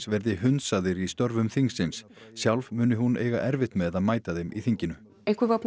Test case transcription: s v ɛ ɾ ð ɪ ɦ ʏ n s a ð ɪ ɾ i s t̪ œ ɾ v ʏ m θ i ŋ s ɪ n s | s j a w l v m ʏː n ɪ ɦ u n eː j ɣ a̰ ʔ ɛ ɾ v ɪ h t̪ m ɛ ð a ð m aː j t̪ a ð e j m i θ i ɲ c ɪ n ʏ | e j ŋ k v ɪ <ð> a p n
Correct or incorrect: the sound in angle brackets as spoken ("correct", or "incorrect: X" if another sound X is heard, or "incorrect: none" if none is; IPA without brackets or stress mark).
incorrect: v